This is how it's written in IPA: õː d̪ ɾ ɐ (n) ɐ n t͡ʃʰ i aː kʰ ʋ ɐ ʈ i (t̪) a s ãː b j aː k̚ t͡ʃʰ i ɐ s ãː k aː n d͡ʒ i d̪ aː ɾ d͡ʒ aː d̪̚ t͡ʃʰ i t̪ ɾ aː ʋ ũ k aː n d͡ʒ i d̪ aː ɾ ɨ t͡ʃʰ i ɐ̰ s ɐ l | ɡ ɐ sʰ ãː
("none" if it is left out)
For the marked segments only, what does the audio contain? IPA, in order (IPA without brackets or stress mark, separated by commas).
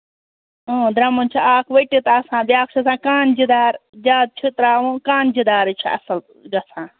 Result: m, t̪